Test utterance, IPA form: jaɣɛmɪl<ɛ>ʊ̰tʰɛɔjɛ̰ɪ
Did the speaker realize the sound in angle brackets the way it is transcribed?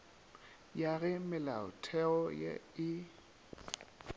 no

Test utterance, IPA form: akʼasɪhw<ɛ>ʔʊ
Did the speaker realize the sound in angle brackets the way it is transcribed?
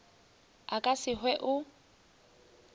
yes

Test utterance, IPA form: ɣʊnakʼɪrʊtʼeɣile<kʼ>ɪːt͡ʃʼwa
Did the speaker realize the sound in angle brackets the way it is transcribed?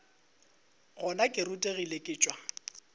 yes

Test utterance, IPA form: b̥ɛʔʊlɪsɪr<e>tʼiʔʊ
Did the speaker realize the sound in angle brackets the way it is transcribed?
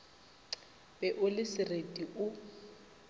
yes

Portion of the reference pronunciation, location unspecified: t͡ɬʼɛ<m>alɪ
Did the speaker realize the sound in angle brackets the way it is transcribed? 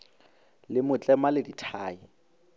yes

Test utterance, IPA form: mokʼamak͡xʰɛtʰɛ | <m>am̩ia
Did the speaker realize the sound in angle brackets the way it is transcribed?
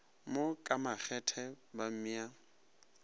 no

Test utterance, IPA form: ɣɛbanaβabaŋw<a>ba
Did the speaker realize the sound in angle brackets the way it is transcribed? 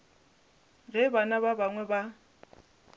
no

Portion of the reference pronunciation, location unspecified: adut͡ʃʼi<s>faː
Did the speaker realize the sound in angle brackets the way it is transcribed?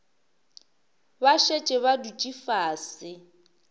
no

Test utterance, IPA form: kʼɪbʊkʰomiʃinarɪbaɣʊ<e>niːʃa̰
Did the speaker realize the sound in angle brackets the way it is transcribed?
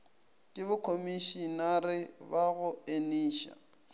yes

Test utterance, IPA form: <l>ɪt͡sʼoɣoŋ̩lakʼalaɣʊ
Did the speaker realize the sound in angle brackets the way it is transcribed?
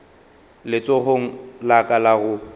yes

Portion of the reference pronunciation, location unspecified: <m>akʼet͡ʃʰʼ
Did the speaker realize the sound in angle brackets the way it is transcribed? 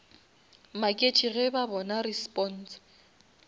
yes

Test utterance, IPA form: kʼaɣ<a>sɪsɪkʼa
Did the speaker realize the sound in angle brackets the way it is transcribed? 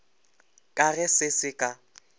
no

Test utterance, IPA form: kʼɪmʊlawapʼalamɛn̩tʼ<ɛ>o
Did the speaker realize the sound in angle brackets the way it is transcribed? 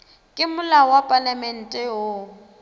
yes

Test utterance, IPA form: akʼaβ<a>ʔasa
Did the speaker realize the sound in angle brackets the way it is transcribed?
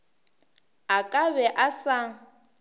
no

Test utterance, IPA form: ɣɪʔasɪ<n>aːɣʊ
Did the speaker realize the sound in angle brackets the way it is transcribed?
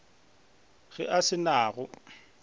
yes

